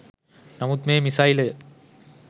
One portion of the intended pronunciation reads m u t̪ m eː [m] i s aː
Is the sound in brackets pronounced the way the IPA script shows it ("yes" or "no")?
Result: yes